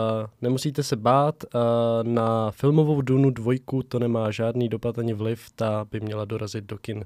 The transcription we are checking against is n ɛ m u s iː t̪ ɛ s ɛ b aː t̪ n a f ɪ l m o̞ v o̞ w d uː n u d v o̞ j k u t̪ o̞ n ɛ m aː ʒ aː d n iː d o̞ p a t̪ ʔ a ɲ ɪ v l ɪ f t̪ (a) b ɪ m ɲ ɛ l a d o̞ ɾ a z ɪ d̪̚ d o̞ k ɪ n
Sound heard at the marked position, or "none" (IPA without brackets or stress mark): a